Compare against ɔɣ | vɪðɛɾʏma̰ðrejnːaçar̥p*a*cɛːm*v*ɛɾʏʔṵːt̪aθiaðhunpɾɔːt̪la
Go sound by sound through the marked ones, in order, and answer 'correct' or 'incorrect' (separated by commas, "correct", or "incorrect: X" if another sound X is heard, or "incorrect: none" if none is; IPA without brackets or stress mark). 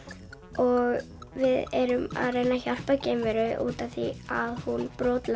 correct, correct